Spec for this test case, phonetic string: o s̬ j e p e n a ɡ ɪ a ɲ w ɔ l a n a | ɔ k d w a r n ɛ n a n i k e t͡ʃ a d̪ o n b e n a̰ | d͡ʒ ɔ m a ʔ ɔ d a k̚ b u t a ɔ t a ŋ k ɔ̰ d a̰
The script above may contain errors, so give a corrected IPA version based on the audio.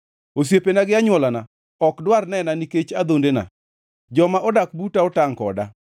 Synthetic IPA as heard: o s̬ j e p e n a ɡ ɪ a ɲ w ɔ l a n a | ɔ k d w a r n ɛ n a n i k e t͡ʃ a d̪ o n d e n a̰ | d͡ʒ ɔ m a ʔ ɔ d a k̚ b u t a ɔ t a ŋ k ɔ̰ d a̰